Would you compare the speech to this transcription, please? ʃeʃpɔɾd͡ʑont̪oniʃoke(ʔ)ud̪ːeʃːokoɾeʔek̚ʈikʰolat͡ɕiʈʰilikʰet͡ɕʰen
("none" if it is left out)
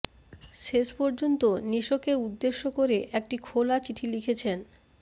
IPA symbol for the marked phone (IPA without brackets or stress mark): none